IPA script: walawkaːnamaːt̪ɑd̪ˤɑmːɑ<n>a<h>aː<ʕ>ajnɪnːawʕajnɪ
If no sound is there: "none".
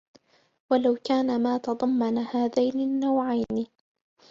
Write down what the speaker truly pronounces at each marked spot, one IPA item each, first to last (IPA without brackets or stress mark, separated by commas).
n, h, ð